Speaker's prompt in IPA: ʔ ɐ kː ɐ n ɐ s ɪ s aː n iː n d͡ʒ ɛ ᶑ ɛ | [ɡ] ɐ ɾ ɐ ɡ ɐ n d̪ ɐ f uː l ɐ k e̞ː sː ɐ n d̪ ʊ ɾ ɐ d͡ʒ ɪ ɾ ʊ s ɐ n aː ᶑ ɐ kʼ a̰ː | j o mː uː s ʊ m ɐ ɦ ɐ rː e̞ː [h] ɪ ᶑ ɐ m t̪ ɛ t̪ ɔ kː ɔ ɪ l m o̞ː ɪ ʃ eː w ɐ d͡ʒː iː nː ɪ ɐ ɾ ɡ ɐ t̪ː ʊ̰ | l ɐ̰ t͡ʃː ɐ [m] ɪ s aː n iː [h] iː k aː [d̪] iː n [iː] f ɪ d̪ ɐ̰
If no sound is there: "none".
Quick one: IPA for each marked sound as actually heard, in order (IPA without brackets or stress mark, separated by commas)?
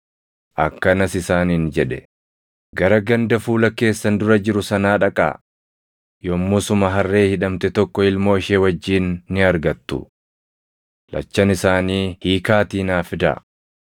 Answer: ɡ, h, n, h, t̪, aː